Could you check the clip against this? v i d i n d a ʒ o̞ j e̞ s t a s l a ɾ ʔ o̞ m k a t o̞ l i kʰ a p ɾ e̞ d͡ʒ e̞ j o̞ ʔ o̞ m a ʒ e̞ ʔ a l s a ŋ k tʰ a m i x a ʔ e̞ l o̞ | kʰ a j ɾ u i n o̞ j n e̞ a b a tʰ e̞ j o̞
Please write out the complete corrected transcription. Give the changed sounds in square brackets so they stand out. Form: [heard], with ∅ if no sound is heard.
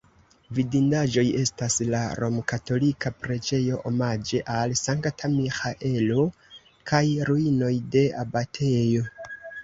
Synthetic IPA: v i d i n d a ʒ o̞ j e̞ s t a s l a ɾ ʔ o̞ m k a t o̞ l i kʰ a p ɾ e̞ d͡ʒ e̞ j o̞ ʔ o̞ m a [d͡ʒ] e̞ ʔ a l s a ŋ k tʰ a m i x a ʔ e̞ l o̞ | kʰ a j ɾ u i n o̞ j [d] e̞ a b a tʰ e̞ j o̞